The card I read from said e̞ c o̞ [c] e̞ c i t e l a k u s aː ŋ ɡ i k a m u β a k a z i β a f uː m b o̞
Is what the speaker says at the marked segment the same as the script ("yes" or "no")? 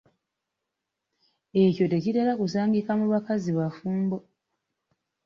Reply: no